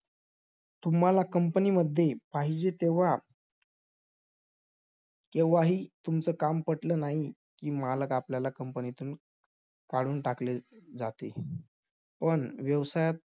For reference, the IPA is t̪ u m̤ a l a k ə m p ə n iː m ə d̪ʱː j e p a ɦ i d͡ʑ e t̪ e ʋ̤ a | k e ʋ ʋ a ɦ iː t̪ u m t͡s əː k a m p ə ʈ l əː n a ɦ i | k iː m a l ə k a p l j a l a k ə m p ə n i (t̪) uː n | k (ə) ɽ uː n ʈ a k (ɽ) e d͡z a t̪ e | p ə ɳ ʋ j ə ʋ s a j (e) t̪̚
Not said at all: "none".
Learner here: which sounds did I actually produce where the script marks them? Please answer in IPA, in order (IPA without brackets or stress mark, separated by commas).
t̪, a, l, a